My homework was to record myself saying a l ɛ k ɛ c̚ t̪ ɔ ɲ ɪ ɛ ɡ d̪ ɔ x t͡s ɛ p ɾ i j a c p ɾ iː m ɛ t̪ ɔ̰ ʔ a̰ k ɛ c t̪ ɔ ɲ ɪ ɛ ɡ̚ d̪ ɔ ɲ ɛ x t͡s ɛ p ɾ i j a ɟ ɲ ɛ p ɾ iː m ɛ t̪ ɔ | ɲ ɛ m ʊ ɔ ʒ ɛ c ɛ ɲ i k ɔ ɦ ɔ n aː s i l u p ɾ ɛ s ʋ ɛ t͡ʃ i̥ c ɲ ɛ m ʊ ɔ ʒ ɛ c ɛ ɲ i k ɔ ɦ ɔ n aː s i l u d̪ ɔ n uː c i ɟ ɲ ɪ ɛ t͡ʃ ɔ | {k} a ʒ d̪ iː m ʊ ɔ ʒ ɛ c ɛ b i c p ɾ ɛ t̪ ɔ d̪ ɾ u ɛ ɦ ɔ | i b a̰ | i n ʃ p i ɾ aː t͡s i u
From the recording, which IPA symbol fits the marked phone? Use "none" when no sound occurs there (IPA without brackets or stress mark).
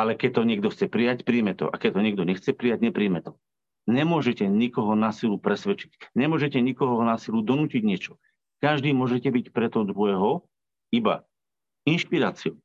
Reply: k